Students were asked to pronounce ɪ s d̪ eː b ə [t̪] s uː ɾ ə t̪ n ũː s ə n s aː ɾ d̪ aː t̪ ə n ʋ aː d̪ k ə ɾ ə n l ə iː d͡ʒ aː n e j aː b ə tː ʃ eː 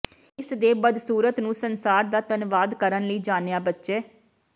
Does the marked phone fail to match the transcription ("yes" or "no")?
yes